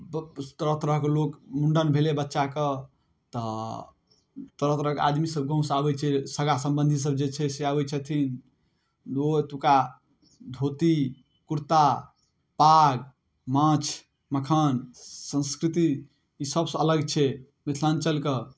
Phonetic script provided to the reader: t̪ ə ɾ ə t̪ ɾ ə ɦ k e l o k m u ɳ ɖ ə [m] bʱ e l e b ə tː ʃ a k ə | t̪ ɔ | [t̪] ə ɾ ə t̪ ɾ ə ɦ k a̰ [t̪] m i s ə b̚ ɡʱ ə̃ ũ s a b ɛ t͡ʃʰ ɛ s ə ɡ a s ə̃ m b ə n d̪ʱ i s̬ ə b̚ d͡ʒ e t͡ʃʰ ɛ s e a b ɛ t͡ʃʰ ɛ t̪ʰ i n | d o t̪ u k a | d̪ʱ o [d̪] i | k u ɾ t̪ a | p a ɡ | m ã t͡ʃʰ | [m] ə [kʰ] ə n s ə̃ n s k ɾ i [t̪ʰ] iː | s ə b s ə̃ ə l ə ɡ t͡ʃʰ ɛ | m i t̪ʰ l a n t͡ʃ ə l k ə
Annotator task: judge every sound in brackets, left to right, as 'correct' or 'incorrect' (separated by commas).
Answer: incorrect, correct, incorrect, incorrect, correct, correct, incorrect